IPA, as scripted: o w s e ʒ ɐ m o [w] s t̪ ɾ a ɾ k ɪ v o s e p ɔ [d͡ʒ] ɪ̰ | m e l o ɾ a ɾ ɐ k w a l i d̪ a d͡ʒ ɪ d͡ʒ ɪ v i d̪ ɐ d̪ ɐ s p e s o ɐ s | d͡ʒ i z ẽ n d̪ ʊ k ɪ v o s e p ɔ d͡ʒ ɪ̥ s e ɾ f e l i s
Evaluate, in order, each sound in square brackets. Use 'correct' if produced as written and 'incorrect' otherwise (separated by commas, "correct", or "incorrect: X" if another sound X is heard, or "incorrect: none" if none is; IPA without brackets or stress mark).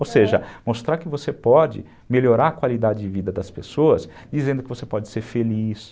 incorrect: none, correct